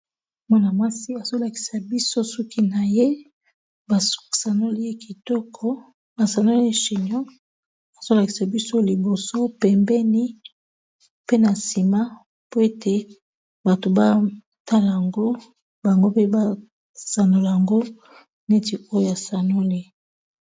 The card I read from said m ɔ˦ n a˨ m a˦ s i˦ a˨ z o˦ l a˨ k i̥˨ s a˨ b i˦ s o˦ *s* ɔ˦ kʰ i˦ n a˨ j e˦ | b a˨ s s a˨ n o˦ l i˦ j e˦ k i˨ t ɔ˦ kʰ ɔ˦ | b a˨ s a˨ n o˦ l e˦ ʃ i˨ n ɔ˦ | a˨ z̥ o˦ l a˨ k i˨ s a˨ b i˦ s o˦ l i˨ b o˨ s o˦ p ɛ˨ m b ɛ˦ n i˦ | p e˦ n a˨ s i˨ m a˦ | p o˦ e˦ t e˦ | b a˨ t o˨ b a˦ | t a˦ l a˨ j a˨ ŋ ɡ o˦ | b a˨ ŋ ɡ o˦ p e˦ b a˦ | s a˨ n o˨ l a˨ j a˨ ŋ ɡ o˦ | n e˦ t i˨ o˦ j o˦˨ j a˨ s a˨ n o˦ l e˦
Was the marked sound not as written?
no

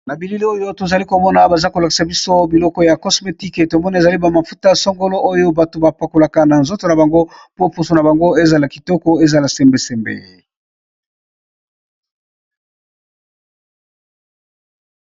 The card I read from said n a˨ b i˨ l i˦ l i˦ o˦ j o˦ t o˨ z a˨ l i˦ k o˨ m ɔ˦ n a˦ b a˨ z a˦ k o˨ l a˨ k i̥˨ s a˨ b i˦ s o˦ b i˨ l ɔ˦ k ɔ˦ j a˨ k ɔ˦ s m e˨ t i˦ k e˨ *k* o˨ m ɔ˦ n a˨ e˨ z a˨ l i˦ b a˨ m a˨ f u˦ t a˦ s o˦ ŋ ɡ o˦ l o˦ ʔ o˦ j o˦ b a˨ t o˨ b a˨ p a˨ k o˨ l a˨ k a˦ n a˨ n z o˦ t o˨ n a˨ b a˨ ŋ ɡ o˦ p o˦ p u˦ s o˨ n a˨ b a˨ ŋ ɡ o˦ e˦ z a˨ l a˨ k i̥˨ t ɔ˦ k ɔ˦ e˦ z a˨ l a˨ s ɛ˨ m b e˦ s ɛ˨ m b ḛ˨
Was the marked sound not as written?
yes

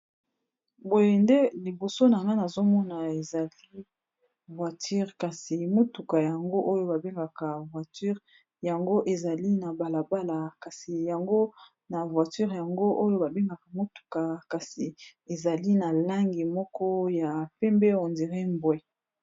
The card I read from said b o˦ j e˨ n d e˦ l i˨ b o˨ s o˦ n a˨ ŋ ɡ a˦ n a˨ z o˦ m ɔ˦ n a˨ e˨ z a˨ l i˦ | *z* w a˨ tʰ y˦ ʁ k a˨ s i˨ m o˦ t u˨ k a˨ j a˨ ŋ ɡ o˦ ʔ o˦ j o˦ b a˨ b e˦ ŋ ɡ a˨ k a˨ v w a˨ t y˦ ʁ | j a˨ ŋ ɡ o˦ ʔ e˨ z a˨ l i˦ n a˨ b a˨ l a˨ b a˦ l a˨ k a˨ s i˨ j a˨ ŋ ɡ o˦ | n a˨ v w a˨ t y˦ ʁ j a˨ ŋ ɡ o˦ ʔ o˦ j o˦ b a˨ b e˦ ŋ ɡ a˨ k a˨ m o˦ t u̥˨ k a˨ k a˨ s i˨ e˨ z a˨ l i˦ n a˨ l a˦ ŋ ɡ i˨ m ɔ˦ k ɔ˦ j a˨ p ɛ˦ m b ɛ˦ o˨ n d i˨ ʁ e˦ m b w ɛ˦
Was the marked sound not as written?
yes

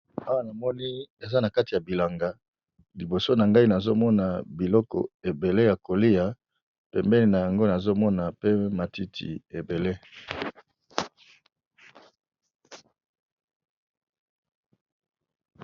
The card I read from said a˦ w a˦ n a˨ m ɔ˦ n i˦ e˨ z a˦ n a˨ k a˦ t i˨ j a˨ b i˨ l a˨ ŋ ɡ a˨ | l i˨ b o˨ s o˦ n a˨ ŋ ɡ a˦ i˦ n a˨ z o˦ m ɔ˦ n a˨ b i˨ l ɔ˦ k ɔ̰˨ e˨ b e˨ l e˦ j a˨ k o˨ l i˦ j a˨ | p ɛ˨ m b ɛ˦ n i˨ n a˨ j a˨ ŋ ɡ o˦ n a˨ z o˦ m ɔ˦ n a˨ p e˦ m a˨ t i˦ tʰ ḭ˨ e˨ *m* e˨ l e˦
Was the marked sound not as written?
yes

